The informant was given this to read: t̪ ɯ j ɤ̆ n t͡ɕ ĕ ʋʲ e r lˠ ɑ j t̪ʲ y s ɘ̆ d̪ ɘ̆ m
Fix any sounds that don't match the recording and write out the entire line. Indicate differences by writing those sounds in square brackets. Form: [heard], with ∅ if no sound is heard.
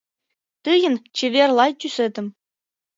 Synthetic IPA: t̪ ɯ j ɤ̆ n t͡ɕ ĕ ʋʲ e r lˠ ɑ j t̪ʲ y s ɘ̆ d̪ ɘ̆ m